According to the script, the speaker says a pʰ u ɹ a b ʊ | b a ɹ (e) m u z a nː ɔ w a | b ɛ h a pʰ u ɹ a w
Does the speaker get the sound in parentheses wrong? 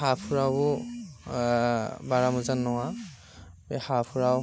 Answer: yes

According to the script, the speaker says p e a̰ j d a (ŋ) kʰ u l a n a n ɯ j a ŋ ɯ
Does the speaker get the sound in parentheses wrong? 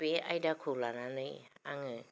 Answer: yes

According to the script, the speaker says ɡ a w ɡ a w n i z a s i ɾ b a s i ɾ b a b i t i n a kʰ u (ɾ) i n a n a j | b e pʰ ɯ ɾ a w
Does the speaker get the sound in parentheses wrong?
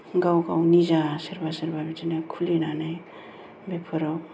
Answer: yes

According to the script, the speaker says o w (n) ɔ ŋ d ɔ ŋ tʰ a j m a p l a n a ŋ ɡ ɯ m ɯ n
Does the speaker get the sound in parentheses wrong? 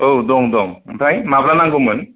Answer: yes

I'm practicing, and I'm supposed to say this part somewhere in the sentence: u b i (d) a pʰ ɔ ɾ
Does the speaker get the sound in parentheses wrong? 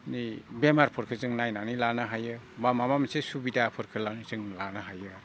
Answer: no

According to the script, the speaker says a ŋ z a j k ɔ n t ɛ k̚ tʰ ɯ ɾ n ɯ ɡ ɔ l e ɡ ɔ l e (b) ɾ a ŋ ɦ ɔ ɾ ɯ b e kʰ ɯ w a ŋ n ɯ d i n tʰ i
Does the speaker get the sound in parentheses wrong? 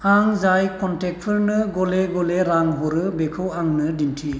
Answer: yes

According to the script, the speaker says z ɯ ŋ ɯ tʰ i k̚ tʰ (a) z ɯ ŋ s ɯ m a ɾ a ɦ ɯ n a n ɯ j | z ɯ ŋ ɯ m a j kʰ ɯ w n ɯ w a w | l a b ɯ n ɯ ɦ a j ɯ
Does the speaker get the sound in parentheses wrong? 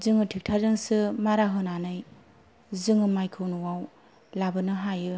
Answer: no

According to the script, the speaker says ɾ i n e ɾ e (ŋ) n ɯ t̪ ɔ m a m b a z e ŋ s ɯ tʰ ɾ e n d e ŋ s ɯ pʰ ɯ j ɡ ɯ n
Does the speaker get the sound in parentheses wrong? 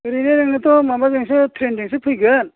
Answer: no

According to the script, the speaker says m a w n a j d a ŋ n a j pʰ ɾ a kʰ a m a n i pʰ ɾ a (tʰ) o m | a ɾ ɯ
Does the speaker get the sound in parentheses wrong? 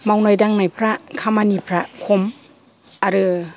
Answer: yes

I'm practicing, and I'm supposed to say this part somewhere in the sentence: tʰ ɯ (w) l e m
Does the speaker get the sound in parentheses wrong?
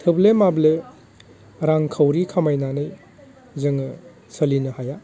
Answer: yes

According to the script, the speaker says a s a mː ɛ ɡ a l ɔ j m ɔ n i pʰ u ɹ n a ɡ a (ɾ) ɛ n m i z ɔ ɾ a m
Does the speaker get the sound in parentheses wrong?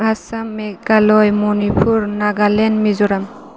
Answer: yes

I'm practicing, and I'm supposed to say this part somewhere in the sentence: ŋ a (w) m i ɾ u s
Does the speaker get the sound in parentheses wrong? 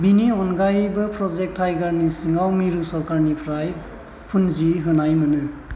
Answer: no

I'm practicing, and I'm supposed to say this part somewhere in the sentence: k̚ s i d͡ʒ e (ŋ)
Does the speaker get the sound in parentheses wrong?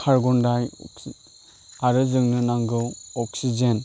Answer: yes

